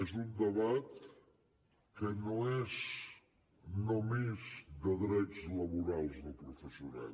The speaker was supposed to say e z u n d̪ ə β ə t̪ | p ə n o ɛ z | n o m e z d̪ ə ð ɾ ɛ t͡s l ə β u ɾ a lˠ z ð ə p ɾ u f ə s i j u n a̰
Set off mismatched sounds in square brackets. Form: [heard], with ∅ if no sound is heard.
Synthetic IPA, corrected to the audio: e z u n d̪ ə β [a] t̪ | [k] ə n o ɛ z | n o m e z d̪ ə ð ɾ ɛ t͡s l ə β u ɾ a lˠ z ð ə p ɾ u f ə s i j u n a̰